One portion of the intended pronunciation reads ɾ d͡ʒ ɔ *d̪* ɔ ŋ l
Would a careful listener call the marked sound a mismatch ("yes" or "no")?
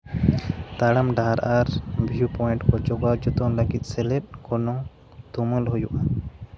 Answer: yes